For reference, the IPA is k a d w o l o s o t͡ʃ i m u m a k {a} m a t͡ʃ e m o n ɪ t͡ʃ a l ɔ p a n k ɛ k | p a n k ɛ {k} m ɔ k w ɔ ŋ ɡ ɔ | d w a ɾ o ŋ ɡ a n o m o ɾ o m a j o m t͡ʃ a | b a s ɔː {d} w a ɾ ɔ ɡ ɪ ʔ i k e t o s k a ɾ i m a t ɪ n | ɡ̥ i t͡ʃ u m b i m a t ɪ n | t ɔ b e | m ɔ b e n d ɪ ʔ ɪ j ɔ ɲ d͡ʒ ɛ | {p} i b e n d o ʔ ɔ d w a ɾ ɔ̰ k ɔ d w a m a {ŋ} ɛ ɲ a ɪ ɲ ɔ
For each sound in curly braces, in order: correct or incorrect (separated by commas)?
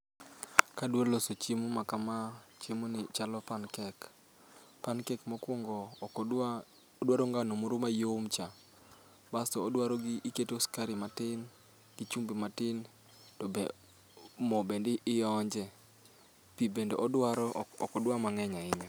correct, correct, correct, correct, correct